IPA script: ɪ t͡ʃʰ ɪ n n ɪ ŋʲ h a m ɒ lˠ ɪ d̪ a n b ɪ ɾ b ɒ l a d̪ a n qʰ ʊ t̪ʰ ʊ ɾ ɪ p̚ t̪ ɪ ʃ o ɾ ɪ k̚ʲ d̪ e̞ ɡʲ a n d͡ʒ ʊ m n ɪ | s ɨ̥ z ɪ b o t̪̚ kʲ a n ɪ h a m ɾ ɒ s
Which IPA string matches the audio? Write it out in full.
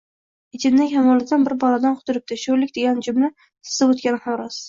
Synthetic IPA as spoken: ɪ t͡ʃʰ ɪ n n ɪ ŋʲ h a m ɒ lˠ ɪ d̪ a n b ɪ ɾ b ɒ l a d̪ a n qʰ ʊ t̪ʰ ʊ ɾ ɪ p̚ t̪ ɪ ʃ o l ɪ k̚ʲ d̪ e̞ ɡʲ a n d͡ʒ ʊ m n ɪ | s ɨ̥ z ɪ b o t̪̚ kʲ a n ɪ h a m ɾ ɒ s